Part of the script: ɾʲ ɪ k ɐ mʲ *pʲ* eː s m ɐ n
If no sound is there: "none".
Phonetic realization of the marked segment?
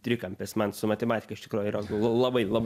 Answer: pʲ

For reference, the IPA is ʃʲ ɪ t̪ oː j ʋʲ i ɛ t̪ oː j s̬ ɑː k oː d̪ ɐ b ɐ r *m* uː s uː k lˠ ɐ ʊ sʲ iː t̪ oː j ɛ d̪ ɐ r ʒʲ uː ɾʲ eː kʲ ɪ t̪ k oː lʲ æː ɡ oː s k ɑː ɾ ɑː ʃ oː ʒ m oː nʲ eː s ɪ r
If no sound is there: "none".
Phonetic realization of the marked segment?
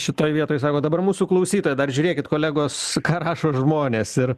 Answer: m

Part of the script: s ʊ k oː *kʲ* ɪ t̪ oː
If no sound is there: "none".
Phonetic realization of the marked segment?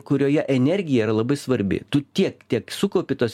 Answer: pʲ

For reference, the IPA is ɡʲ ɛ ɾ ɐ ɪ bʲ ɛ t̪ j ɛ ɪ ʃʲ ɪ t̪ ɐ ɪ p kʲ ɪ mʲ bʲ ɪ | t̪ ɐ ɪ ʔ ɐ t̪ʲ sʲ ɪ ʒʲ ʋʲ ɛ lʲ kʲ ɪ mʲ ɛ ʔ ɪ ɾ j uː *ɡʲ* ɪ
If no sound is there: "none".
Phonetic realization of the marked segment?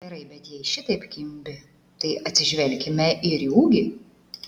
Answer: ɡʲ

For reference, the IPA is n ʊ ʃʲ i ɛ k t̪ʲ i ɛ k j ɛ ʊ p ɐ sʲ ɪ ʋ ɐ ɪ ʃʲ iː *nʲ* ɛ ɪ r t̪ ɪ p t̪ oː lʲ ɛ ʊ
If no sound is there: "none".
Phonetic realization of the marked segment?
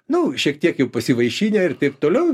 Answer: nʲ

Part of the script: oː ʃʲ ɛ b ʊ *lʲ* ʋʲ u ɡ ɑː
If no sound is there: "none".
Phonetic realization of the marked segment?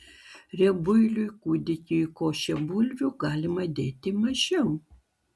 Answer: lʲ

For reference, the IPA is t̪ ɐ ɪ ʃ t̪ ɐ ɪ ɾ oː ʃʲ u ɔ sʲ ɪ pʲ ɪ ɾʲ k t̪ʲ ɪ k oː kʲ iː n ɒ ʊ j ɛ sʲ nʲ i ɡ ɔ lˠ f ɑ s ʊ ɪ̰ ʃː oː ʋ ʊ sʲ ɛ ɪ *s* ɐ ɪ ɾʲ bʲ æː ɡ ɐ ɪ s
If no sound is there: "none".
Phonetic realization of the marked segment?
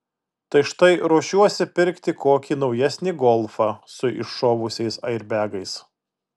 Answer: s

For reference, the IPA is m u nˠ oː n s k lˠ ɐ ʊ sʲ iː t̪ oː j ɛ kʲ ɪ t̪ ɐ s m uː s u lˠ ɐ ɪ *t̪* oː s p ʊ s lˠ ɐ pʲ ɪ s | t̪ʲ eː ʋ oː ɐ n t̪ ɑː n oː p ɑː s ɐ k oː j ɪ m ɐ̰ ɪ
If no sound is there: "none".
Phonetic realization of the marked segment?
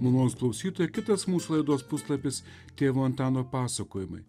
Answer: d̪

